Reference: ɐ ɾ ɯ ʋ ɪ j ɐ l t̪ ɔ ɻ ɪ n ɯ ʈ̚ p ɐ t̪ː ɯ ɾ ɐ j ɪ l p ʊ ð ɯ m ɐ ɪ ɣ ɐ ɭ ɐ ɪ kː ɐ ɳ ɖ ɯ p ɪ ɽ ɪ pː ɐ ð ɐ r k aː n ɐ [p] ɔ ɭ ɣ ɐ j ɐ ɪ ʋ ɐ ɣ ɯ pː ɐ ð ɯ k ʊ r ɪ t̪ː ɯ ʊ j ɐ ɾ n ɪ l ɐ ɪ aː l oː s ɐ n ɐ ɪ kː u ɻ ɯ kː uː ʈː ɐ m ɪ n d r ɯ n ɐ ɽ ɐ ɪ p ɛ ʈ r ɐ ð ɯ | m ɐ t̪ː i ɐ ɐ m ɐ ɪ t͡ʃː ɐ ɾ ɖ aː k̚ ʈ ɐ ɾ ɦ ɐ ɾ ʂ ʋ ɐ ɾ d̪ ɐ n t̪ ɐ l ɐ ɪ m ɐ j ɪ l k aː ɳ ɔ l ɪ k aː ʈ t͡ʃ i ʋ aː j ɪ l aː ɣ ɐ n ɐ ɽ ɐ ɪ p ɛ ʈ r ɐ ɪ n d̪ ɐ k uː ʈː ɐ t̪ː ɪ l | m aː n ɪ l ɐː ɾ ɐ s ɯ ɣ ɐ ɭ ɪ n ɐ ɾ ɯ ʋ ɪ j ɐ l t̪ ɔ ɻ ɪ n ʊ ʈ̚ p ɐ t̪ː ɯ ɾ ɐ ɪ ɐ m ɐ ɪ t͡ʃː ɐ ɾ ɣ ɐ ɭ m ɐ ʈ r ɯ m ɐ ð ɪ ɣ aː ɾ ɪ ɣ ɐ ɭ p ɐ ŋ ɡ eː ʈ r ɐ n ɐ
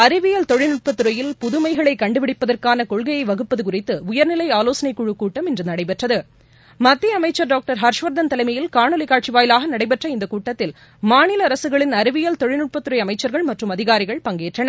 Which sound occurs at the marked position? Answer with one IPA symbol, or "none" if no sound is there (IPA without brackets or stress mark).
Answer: k